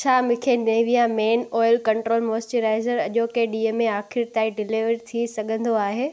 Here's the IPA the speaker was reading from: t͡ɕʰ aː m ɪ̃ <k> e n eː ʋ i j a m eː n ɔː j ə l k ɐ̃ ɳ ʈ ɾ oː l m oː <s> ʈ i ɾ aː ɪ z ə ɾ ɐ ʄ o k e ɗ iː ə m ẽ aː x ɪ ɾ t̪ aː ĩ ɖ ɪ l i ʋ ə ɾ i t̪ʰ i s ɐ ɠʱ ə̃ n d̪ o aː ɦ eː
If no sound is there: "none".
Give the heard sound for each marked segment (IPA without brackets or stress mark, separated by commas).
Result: kʰ, s